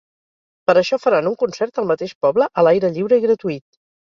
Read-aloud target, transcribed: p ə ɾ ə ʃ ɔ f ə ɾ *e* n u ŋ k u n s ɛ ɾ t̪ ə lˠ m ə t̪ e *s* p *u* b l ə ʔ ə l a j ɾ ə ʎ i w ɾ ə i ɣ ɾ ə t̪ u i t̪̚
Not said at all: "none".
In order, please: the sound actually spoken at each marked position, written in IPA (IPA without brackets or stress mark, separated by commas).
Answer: a, ʃ, ɔ